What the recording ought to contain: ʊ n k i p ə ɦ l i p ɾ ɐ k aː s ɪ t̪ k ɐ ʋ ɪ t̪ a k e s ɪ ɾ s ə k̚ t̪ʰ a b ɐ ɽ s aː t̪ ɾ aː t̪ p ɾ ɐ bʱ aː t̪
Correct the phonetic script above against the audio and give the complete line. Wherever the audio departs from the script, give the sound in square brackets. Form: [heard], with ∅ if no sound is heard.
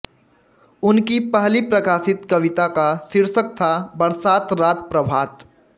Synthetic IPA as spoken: ʊ n k i p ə ɦ l i p ɾ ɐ k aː s ɪ t̪ k ɐ ʋ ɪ t̪ a k [a] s ɪ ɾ s ə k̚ t̪ʰ a b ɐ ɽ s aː t̪ ɾ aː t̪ p ɾ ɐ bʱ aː t̪